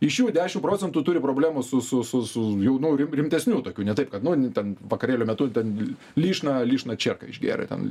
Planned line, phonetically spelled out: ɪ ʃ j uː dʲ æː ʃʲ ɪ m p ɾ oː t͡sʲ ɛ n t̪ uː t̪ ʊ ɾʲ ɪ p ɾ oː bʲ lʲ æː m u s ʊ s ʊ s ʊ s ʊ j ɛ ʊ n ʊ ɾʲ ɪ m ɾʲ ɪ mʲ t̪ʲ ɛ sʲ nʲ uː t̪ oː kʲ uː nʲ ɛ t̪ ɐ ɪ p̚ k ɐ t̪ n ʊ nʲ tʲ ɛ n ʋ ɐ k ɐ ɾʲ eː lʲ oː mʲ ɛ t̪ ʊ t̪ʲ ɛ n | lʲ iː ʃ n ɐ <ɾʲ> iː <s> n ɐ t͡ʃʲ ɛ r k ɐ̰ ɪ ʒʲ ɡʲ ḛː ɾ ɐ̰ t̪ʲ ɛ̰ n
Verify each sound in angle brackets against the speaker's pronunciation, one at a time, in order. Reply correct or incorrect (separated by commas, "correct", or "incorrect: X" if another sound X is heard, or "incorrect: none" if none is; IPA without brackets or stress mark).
incorrect: lʲ, incorrect: ʃ